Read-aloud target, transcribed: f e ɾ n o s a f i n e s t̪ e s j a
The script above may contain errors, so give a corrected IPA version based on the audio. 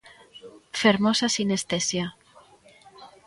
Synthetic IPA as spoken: f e ɾ m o s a s i n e s t̪ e s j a